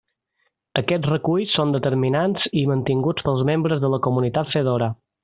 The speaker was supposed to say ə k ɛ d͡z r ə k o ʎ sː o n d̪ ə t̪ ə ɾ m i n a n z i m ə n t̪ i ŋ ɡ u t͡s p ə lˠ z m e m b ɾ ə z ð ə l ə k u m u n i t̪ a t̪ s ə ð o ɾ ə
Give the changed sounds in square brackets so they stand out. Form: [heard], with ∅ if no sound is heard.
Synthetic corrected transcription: ə k ɛ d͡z r ə k [u] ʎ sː o n d̪ ə t̪ ə ɾ m i n a n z i m ə n t̪ i ŋ ɡ u t͡s p ə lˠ z m e m b ɾ ə z ð ə l ə k u m u n i t̪ a t̪ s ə ð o ɾ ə